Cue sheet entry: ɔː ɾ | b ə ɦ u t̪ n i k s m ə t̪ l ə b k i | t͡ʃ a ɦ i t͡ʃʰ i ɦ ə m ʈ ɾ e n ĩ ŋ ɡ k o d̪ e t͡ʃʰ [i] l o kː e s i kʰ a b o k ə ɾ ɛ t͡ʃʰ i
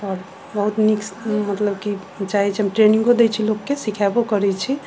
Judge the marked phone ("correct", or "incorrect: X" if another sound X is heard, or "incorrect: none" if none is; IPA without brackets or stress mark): correct